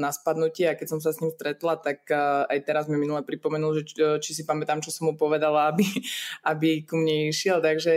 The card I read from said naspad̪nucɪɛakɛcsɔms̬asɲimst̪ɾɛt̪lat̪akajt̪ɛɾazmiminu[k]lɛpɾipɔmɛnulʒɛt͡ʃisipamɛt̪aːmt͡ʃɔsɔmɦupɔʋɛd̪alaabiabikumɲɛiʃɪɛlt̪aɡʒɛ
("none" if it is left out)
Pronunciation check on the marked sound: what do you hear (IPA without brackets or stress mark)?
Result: none